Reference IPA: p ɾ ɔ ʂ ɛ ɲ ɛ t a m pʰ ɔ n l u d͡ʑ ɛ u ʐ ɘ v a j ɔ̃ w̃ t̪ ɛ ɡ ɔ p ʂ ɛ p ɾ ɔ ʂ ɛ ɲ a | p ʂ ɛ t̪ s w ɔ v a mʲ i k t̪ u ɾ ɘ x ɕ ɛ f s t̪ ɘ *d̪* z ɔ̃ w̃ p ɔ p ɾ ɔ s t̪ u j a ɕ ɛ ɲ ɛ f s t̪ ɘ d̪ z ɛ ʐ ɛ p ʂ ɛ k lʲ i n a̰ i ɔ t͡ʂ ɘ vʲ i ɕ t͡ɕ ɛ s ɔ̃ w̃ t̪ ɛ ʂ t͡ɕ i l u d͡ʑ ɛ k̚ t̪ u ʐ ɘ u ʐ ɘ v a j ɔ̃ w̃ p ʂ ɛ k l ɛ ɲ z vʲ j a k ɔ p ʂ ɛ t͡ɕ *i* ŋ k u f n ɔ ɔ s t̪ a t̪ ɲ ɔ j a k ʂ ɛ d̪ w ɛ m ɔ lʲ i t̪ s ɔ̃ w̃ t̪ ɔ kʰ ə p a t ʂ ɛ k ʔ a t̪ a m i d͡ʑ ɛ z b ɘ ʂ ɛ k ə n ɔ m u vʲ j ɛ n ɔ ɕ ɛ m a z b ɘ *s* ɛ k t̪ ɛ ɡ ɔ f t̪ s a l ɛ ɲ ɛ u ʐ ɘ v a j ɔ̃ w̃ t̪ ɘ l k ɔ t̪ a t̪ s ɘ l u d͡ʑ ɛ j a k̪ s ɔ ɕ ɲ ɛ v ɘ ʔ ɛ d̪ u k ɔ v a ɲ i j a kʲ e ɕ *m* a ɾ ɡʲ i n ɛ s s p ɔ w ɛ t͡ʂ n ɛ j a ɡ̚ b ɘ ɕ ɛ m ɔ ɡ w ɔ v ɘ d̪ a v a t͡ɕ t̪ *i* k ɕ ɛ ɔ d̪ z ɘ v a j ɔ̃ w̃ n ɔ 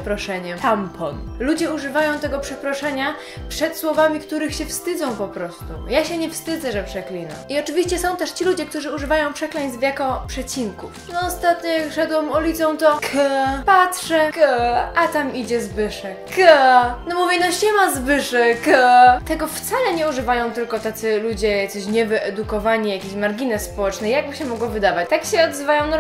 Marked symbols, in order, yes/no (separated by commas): yes, yes, no, yes, no